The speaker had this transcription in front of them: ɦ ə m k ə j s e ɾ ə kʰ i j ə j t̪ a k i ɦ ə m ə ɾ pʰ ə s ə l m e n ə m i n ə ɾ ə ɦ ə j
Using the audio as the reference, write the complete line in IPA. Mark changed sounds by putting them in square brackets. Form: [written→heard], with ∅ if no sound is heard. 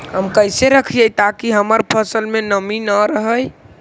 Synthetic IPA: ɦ ə m k ə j s e ɾ ə kʰ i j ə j t̪ a k i ɦ ə m ə ɾ pʰ ə s ə l m e n ə m i n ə ɾ ə ɦ ə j